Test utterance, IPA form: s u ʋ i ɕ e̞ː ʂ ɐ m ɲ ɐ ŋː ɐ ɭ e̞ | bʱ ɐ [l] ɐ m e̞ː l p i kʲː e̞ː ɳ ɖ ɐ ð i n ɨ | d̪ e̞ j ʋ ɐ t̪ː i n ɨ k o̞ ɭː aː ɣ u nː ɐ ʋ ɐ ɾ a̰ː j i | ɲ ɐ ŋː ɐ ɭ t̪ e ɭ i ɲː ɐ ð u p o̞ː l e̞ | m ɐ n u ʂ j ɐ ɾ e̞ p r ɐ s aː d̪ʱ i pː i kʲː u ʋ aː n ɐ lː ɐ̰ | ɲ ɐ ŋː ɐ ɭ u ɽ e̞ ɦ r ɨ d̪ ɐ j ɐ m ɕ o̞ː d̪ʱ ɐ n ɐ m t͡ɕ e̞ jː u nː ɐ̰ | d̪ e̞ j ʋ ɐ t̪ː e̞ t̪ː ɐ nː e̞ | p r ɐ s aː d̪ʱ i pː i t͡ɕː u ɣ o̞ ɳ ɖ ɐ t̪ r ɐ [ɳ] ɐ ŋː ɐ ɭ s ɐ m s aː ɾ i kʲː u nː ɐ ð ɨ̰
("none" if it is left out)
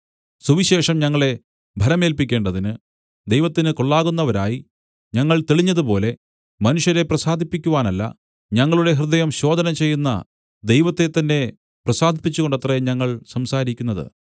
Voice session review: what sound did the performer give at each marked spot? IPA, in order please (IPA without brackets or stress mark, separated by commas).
ɾ, ɲ